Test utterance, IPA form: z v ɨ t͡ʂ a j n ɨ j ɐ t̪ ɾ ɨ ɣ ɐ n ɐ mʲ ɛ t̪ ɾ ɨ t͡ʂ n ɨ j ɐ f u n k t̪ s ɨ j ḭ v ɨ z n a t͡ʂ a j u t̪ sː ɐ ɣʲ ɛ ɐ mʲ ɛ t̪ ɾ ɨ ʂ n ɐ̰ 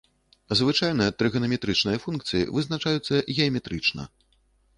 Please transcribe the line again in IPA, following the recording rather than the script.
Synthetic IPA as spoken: z v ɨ t͡ʂ a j n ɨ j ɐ t̪ ɾ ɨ ɣ ɐ n ɐ mʲ ɛ t̪ ɾ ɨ t͡ʂ n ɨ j ɐ f u n k t̪ s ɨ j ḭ v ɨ z n a t͡ʂ a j u t̪ sː ɐ ɣʲ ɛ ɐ mʲ ɛ t̪ ɾ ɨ t͡ʂ n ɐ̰